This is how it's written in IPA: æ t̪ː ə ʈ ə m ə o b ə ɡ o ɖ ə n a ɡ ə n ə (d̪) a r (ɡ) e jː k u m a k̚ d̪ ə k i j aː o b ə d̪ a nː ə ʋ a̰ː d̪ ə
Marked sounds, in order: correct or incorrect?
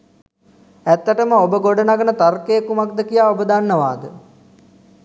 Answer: incorrect: t̪, incorrect: k

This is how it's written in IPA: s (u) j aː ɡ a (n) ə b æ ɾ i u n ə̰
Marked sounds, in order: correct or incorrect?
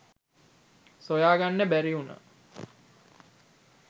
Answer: incorrect: o, incorrect: nː

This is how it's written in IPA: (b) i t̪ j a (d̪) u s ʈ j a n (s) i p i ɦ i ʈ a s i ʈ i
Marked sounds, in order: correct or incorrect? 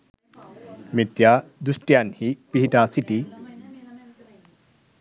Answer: incorrect: m, correct, incorrect: h

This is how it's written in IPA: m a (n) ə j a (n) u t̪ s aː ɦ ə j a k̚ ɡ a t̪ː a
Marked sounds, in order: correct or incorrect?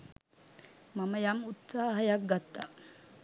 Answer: incorrect: m, incorrect: m

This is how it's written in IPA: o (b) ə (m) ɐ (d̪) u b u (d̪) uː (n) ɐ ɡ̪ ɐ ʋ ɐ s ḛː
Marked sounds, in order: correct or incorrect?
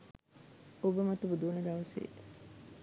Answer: correct, correct, incorrect: t̪, correct, correct

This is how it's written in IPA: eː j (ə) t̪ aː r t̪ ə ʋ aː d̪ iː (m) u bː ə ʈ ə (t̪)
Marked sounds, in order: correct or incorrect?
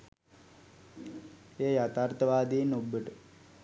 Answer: incorrect: a, incorrect: n, incorrect: none

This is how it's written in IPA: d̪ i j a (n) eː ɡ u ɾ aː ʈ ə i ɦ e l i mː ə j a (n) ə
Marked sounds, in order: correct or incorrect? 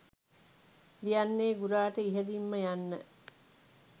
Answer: incorrect: nː, incorrect: nː

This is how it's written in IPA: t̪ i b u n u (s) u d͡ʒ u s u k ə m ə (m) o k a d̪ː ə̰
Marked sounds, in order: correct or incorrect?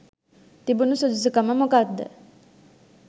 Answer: correct, correct

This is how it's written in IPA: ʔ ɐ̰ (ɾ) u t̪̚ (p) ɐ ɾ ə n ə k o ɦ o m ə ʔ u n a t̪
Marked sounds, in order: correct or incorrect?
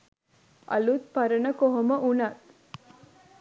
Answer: incorrect: l, correct

